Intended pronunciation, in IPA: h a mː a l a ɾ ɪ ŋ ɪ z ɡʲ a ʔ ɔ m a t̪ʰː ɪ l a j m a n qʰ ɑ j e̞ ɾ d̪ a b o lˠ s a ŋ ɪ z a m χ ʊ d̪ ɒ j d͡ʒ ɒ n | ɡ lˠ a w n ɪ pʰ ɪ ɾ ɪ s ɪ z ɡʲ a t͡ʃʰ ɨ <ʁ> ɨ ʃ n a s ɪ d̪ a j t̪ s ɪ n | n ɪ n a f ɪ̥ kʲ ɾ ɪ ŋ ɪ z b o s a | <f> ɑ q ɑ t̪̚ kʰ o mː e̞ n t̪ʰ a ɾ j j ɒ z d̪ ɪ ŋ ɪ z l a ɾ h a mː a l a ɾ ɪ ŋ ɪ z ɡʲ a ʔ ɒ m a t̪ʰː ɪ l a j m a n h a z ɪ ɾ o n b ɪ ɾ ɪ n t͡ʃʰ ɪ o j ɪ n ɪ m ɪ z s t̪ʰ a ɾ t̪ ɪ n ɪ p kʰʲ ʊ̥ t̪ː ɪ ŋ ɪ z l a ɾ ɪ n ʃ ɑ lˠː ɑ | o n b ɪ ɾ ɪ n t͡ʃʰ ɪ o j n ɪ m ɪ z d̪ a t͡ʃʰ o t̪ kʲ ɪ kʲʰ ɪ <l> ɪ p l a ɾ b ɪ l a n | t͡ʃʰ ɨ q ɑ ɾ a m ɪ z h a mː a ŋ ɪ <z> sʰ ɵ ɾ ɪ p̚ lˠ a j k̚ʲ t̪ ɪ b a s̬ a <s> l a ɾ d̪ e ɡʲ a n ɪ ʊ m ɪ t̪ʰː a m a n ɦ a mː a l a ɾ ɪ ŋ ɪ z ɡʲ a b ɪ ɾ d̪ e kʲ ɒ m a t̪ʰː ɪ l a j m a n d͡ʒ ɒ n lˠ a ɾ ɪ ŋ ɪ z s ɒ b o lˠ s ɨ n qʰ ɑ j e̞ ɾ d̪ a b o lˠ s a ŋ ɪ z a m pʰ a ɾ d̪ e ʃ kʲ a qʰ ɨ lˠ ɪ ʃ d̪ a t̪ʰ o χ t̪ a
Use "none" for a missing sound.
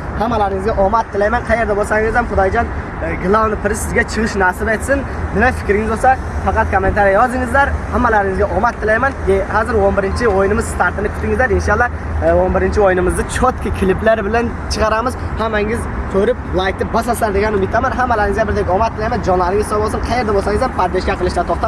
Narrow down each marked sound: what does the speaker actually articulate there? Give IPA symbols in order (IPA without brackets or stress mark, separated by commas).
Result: ʁ, f, l, z, s